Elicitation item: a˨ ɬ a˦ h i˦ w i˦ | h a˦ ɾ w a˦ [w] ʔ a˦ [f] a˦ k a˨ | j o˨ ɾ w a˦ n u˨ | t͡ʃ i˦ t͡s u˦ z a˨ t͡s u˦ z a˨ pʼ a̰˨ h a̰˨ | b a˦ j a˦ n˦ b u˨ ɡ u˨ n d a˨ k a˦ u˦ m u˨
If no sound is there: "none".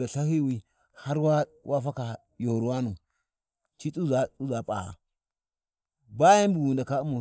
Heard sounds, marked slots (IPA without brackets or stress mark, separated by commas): w, f